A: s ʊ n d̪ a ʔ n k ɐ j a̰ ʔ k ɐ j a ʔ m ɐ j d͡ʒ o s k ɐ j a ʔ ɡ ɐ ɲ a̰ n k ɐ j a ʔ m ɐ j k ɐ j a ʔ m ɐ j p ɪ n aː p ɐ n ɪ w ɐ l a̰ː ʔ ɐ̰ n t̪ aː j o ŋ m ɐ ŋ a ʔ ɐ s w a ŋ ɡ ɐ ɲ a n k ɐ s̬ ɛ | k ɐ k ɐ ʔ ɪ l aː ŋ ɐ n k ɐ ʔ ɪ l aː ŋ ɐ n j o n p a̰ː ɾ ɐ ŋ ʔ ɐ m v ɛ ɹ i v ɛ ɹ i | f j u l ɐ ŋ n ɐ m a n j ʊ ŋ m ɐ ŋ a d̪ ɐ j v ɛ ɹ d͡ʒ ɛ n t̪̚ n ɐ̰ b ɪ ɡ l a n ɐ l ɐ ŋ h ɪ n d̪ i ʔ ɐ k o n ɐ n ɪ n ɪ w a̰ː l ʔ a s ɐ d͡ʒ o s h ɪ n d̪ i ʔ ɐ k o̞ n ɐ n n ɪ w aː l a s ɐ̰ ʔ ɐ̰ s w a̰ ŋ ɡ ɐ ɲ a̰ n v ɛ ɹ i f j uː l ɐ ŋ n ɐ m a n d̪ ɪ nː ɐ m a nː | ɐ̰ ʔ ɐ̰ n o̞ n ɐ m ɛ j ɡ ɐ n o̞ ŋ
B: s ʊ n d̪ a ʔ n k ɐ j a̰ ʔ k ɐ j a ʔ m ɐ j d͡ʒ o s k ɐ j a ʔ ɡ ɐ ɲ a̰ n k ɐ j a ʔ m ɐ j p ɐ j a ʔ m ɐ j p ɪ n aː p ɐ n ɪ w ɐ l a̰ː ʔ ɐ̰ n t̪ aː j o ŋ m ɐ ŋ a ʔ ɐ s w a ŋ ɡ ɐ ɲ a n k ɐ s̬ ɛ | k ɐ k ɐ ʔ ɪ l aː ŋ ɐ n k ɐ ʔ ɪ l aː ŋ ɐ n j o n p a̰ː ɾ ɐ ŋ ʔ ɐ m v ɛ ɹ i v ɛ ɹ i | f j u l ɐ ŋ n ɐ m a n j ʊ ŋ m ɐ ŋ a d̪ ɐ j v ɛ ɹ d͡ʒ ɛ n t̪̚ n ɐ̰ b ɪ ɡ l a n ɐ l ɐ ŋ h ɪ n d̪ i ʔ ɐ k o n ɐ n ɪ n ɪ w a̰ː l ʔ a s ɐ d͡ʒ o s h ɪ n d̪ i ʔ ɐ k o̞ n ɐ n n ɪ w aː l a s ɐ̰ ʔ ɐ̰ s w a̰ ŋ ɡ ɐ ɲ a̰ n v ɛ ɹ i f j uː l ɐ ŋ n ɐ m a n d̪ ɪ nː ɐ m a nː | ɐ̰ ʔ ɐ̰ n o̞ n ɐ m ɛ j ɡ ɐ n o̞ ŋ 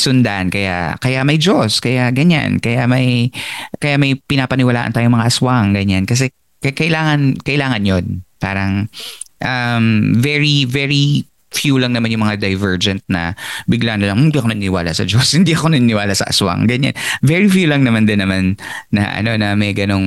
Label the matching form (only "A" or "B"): A